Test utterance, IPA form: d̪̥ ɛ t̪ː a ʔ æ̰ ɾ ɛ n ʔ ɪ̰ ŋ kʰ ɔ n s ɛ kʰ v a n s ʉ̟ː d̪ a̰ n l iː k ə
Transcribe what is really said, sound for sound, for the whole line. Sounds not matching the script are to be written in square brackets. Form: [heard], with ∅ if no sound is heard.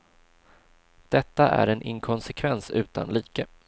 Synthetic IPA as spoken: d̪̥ ɛ t̪ː a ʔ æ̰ ɾ ɛ n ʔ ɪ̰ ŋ kʰ ɔ n s ɛ kʰ v [ɛ] n s ʉ̟ː [t̪] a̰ n l iː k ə

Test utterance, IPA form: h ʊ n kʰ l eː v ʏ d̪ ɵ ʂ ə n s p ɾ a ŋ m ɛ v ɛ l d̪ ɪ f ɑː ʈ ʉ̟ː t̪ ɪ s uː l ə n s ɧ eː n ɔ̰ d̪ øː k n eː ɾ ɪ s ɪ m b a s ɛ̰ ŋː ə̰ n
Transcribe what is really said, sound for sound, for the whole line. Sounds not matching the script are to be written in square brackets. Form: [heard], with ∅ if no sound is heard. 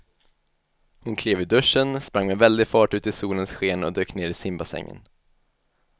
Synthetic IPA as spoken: h ʊ n kʰ l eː v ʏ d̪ ɵ ʂ ə n s p ɾ a ŋ m ɛ v ɛ l d̪ ɪ f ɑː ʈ ʉ̟ː t̪ ɪ s uː l ə n s ɧ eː n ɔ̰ d̪ øː k n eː ɾ ɪ s ɪ m b a s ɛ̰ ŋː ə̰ n

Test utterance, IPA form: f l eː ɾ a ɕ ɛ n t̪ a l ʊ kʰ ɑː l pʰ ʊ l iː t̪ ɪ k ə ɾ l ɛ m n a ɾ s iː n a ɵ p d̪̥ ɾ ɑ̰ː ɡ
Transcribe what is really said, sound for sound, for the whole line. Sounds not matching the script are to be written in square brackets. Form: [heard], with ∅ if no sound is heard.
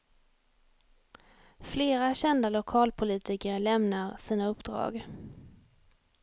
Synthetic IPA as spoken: f l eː ɾ a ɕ ɛ n [d̪] a l ʊ kʰ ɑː l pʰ ʊ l iː t̪ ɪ k ə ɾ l ɛ m n a ɾ s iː n a ɵ p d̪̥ ɾ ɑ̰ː ɡ

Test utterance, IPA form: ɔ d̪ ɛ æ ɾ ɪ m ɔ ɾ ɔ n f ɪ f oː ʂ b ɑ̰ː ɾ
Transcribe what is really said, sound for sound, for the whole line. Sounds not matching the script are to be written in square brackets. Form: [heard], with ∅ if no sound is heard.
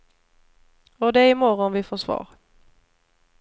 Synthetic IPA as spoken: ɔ d̪ ɛ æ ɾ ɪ m ɔ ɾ ɔ n [v] ɪ f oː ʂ [v] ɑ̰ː ɾ

